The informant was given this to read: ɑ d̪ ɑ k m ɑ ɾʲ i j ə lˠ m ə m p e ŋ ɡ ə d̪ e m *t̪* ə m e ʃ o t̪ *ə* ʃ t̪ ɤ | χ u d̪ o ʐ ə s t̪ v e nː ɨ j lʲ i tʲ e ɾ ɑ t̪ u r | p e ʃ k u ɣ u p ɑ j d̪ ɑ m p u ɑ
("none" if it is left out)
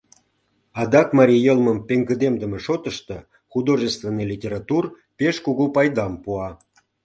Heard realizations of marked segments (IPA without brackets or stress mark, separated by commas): d̪, ə